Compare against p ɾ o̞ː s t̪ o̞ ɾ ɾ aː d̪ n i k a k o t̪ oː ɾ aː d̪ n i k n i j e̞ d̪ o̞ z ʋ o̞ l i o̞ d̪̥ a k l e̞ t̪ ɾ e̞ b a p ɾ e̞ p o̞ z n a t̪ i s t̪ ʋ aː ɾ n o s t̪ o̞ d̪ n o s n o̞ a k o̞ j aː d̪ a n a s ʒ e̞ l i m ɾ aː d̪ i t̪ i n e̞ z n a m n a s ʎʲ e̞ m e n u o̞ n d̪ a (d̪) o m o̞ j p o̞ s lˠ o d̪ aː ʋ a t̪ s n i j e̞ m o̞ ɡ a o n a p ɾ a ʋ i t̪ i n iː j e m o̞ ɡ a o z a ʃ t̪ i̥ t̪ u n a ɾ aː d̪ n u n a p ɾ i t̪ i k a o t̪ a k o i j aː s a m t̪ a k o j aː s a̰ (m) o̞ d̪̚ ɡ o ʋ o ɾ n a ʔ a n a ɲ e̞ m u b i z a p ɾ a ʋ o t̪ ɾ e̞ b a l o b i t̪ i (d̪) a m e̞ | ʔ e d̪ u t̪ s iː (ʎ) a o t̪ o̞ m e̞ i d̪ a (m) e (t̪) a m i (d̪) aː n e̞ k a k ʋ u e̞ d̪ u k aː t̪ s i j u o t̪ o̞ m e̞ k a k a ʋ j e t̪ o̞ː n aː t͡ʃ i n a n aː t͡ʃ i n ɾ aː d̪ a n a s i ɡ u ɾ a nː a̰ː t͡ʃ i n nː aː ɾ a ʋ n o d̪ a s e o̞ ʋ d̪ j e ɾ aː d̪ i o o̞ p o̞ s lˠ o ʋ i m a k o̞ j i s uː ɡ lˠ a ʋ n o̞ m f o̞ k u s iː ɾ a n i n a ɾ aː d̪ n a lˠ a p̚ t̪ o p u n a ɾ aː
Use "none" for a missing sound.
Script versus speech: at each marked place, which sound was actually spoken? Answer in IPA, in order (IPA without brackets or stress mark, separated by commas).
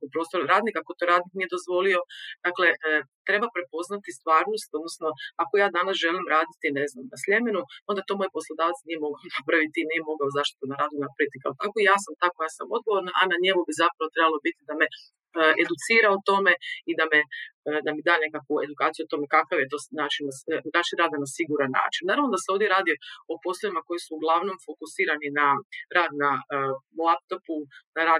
t̪, m, d̪, ɾ, m, d̪, d̪